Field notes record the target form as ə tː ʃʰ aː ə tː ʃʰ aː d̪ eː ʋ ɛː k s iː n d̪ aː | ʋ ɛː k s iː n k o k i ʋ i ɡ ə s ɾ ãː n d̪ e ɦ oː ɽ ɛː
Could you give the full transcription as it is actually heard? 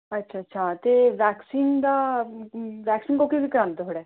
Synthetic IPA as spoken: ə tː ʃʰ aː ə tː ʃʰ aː t̪ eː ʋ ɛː k s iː n d̪ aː | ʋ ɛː k s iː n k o k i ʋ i k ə ɾ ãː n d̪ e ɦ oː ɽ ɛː